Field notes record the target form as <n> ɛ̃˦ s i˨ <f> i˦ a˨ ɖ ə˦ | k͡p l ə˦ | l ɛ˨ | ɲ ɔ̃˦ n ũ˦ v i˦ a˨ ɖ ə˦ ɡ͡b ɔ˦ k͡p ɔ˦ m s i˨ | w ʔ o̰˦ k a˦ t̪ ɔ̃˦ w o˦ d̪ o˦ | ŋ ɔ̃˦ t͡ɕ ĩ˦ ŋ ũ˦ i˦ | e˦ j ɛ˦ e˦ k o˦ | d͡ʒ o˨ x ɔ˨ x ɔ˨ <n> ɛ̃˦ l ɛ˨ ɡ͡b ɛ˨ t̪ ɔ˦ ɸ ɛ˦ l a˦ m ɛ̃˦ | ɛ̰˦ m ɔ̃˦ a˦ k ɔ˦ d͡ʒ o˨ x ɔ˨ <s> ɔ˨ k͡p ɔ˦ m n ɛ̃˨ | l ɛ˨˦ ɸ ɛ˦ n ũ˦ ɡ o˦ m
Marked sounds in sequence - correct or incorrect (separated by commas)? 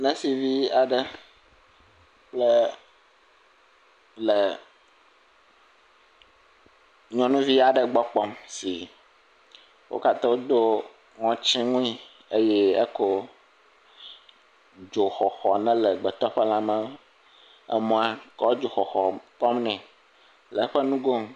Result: correct, incorrect, correct, incorrect